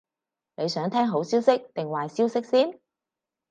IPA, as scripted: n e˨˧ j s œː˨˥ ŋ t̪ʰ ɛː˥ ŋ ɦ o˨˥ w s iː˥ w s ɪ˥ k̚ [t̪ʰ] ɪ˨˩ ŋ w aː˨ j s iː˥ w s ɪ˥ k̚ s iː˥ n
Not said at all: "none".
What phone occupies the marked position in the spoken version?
t̪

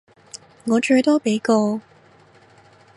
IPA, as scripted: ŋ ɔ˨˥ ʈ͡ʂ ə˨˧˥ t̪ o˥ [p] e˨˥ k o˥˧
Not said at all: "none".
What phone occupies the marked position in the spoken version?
p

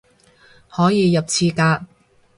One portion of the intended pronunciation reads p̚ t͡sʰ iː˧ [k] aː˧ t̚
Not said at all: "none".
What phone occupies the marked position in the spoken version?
k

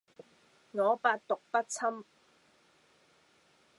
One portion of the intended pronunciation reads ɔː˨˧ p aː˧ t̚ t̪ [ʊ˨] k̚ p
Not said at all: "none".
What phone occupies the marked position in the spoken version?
ʊ˨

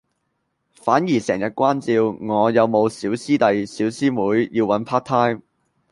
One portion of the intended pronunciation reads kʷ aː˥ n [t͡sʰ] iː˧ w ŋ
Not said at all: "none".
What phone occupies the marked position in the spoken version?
t͡s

